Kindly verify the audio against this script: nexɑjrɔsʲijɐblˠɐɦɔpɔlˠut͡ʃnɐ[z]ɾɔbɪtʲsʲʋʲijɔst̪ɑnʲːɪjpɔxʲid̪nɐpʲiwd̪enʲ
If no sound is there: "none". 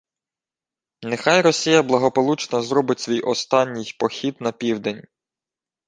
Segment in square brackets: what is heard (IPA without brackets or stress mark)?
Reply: z